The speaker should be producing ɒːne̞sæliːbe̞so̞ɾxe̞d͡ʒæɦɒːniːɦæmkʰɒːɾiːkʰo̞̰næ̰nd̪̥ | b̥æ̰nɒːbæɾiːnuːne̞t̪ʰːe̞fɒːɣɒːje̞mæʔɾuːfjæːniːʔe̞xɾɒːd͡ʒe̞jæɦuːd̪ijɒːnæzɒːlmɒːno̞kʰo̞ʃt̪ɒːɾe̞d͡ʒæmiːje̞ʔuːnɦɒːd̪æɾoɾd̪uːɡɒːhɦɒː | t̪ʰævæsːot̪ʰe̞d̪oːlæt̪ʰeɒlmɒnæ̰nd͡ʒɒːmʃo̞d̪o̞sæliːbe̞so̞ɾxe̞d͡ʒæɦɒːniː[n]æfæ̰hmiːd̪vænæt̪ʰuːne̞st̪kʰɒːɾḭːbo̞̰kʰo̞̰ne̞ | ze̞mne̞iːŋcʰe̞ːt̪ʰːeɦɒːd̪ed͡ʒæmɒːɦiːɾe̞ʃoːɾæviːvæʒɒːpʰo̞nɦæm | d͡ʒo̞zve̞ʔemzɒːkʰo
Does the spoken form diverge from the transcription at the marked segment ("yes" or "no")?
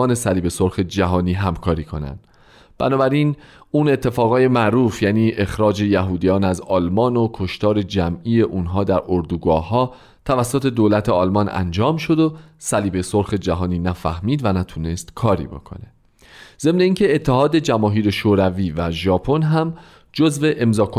no